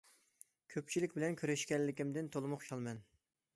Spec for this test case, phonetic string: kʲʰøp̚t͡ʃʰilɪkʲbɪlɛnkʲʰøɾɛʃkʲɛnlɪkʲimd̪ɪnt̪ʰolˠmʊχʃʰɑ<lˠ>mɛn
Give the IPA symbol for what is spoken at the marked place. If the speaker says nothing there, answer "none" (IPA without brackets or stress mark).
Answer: lˠ